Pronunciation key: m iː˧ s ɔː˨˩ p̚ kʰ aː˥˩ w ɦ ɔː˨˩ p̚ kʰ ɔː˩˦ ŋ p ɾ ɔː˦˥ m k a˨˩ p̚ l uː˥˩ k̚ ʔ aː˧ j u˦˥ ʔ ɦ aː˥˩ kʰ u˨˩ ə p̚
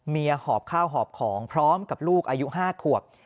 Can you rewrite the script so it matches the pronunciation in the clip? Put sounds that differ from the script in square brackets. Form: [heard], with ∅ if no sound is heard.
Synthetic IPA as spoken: m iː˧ [h] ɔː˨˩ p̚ kʰ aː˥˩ w ɦ ɔː˨˩ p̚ kʰ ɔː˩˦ ŋ [pʰ] ɾ ɔː˦˥ m k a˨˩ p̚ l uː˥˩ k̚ ʔ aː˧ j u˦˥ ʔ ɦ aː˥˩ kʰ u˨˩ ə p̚